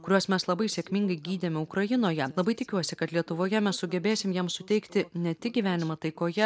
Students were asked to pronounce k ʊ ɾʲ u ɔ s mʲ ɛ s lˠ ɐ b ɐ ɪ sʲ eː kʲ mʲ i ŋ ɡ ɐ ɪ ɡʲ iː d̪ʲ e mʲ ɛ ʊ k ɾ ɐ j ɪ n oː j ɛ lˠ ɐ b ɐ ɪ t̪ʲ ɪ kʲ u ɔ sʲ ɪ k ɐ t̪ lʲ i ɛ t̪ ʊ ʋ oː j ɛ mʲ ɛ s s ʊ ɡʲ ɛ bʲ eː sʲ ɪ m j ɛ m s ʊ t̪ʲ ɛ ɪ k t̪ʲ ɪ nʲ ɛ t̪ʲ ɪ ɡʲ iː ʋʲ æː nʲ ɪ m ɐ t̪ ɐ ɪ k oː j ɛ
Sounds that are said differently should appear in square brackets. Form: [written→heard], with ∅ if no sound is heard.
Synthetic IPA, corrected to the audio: k ʊ ɾʲ u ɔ s mʲ ɛ s lˠ ɐ b ɐ ɪ sʲ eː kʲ mʲ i ŋ ɡ ɐ ɪ ɡʲ iː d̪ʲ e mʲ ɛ ʊ k ɾ ɐ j ɪ n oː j ɛ lˠ ɐ b ɐ ɪ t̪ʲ ɪ kʲ u ɔ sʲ ɪ k ɐ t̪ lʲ i ɛ t̪ ʊ ʋ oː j ɛ mʲ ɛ s s ʊ ɡʲ ɛ bʲ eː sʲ ɪ m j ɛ m s ʊ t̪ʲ ɛ ɪ k t̪ʲ ɪ nʲ ɛ t̪ʲ ɪ ɡʲ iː ʋʲ æː nʲ ɪ m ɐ t̪ ɐ ɪ k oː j ɛ